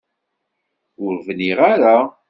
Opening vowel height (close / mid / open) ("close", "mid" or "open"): close